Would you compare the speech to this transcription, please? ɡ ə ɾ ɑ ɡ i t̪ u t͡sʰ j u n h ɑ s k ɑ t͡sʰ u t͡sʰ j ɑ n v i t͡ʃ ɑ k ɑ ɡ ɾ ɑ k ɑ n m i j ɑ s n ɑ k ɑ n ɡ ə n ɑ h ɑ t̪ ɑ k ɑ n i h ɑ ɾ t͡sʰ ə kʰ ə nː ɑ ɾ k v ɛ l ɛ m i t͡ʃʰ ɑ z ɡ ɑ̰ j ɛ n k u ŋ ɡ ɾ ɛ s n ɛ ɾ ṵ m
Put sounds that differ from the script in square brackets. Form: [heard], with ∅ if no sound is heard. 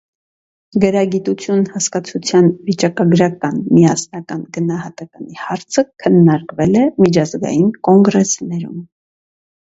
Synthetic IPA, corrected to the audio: ɡ ə ɾ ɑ ɡ i t̪ u t͡sʰ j u n h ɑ s k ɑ t͡sʰ u t͡sʰ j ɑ n v i t͡ʃ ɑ k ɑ ɡ ɾ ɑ k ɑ n m i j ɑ s n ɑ k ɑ n ɡ ə n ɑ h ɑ t̪ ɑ k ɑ n i h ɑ ɾ t͡sʰ ə kʰ ə nː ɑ ɾ k v ɛ l ɛ m i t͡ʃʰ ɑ z ɡ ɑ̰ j [i] n k [ɔ] ŋ ɡ ɾ ɛ s n ɛ ɾ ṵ m